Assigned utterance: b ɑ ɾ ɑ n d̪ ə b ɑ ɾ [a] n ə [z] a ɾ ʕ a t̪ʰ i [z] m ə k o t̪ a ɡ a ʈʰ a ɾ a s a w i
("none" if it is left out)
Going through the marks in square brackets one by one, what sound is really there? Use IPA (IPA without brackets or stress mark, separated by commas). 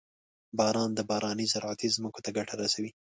ɑ, z, z